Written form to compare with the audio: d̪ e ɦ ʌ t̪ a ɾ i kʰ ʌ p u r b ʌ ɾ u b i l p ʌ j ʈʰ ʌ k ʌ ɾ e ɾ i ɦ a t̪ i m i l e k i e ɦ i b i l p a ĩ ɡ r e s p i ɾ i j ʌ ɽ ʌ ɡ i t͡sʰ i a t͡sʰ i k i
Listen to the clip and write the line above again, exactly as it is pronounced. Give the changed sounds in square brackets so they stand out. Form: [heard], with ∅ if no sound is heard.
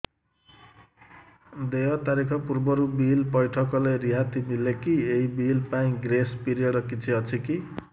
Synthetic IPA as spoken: d̪ e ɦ ʌ t̪ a ɾ i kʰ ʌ p u r b ʌ ɾ u b i l p ʌ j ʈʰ ʌ k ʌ [l] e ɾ i ɦ a t̪ i m i l e k i e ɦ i b i l p a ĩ ɡ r e s p i ɾ i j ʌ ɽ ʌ [k] i t͡sʰ i [ʌ] t͡sʰ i k i

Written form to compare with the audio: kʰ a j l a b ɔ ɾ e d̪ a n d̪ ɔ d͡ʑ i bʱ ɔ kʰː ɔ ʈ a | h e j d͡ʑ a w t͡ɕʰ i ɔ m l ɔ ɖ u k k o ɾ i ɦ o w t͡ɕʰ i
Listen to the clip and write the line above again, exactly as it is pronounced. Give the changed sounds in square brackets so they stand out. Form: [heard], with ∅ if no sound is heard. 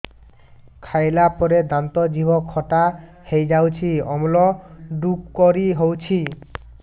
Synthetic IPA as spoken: kʰ a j l a [p] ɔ ɾ e d̪ a n [t̪] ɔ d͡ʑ i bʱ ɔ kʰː ɔ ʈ a | h e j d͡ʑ a w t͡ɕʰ i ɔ m l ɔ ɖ u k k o ɾ i ɦ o w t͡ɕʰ i

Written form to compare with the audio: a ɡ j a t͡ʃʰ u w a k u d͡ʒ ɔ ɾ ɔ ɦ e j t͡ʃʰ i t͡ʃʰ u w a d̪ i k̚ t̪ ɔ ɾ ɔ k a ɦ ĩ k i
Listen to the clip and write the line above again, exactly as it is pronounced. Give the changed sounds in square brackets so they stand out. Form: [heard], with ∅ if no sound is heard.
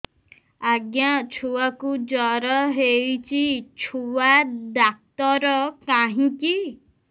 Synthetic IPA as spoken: a ɡ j a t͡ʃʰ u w a k u d͡ʒ ɔ ɾ ɔ ɦ e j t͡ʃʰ i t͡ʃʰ u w a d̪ [a] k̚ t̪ ɔ ɾ ɔ k a ɦ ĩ k i

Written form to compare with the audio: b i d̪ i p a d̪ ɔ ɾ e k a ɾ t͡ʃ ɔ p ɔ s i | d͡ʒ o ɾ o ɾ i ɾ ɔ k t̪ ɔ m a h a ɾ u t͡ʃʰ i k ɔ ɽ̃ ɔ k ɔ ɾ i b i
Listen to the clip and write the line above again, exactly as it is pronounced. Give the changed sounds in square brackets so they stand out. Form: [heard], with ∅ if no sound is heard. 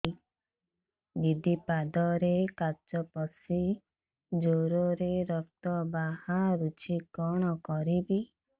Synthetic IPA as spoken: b i d̪ i p a d̪ ɔ ɾ e k a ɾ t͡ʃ ɔ p ɔ s i | d͡ʒ o ɾ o ɾ [e] ɾ ɔ k t̪ ɔ [b] a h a ɾ u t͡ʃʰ i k ɔ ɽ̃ ɔ k ɔ ɾ i b i

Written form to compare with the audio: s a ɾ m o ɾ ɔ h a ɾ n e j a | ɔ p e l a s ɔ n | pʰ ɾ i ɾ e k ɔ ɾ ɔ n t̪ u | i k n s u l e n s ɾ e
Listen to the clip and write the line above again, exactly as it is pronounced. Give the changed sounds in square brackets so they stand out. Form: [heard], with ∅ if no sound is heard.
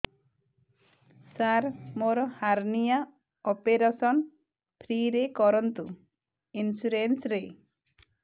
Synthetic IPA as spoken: s a ɾ m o ɾ ɔ h a ɾ n [i] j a | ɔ p e [ɾ] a s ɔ n | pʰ ɾ i ɾ e k ɔ ɾ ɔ n t̪ u | i [∅] n s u [ɾ] e n s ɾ e

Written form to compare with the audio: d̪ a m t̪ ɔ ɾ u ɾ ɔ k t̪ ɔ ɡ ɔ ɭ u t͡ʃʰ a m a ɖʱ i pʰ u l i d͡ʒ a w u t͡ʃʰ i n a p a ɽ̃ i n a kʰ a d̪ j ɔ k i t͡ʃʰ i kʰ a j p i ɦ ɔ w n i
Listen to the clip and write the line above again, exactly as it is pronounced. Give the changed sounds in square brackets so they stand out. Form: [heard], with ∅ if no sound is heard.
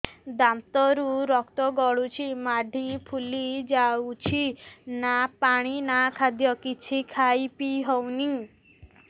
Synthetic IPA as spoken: d̪ a m t̪ ɔ ɾ u ɾ ɔ k t̪ ɔ ɡ ɔ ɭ u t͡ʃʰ [i] m a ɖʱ i pʰ u l i d͡ʒ a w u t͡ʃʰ i n a p a ɽ̃ i n a kʰ a d̪ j ɔ k i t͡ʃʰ i kʰ a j p i ɦ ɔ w n i

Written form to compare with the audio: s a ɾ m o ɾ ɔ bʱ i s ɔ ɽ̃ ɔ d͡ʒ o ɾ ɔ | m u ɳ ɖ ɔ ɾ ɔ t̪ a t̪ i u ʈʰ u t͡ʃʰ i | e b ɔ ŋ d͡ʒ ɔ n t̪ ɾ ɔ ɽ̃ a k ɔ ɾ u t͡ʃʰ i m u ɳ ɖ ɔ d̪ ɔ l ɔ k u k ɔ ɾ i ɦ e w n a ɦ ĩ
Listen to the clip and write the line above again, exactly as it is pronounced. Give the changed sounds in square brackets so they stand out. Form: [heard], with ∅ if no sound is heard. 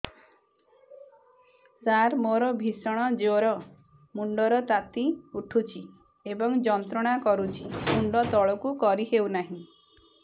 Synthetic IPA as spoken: s a ɾ m o ɾ ɔ bʱ i s ɔ ɽ̃ ɔ d͡ʒ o ɾ ɔ | m u ɳ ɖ ɔ ɾ ɔ t̪ a t̪ i u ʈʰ u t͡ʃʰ i | e b ɔ ŋ d͡ʒ ɔ n t̪ ɾ ɔ ɽ̃ a k ɔ ɾ u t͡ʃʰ i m u ɳ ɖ ɔ [t̪] ɔ [ɭ] ɔ k u k ɔ ɾ i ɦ e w n a ɦ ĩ

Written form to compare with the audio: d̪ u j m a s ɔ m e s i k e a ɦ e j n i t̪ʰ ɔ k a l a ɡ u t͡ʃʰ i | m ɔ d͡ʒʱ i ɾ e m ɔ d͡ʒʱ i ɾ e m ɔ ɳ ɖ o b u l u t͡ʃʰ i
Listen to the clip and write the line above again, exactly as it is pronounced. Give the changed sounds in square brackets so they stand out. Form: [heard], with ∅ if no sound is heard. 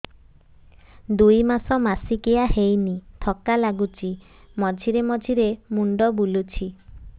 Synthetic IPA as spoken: d̪ u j m a s ɔ m [a] s i k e a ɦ e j n i t̪ʰ ɔ k a l a ɡ u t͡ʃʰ i | m ɔ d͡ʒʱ i ɾ e m ɔ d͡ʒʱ i ɾ e m [u] ɳ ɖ [ɔ] b u l u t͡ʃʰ i

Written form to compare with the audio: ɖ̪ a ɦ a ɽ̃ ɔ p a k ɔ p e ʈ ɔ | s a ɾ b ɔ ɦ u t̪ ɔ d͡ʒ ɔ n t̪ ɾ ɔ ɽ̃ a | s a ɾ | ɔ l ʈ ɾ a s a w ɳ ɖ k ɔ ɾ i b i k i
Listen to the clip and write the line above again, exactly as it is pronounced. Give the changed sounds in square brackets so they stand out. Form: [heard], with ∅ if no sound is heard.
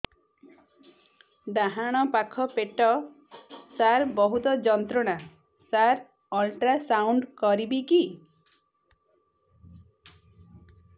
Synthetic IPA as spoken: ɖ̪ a ɦ a ɽ̃ ɔ p a [kʰ] ɔ p e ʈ ɔ | s a ɾ b ɔ ɦ u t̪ ɔ d͡ʒ ɔ n t̪ ɾ ɔ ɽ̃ a | s a ɾ | ɔ l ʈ ɾ a s a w ɳ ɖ k ɔ ɾ i b i k i

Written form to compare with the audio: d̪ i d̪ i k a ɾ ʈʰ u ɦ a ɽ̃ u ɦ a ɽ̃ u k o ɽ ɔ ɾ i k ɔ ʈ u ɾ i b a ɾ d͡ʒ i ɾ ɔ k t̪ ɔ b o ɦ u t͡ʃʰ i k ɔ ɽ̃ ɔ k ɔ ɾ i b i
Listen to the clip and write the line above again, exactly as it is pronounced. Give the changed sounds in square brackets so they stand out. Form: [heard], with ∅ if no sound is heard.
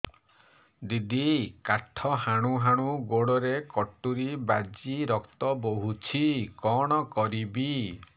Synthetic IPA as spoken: d̪ i d̪ i k a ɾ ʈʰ [ɔ] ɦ a ɽ̃ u ɦ a ɽ̃ u [ɡ] o ɽ ɔ ɾ [e] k ɔ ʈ u ɾ i b a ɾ d͡ʒ i ɾ ɔ k t̪ ɔ b o ɦ u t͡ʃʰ i k ɔ ɽ̃ ɔ k ɔ ɾ i b i

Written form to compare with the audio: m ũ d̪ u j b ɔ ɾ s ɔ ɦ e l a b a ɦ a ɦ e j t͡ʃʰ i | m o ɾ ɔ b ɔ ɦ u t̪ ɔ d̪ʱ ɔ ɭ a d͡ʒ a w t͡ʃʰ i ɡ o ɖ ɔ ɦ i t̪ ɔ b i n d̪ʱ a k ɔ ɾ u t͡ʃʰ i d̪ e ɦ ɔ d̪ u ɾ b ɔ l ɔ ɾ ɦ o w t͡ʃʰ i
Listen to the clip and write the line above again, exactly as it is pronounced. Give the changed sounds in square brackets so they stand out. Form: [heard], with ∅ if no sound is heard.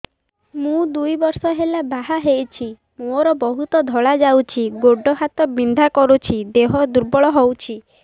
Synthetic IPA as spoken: m ũ d̪ u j b ɔ ɾ s ɔ ɦ e l a b a ɦ a ɦ e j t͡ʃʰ i | m o ɾ ɔ b ɔ ɦ u t̪ ɔ d̪ʱ ɔ ɭ a d͡ʒ a w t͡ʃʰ i ɡ o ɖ ɔ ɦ [a] t̪ ɔ b i n d̪ʱ a k ɔ ɾ u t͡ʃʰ i d̪ e ɦ ɔ d̪ u ɾ b ɔ [ɭ] ɔ [∅] ɦ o w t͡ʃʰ i

